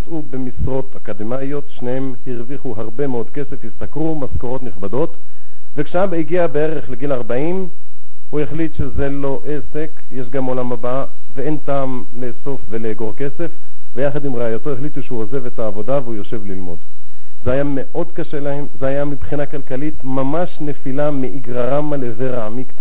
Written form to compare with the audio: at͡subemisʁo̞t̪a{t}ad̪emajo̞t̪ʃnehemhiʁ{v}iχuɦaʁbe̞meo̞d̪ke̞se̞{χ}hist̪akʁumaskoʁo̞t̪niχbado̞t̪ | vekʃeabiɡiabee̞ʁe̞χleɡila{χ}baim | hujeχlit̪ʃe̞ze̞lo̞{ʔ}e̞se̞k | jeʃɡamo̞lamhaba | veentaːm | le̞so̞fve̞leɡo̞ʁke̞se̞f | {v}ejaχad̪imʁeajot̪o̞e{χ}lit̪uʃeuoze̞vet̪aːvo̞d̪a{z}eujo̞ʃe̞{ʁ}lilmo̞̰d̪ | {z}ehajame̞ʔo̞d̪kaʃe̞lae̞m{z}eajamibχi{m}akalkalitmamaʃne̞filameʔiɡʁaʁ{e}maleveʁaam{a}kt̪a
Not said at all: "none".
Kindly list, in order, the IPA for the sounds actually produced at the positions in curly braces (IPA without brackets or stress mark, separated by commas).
k, v, f, ʁ, ʔ, v, χ, v, v, z, z, n, a, i